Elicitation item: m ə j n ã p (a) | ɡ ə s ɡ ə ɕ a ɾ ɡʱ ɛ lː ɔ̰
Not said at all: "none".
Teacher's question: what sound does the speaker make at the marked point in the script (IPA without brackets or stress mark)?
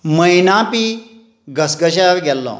i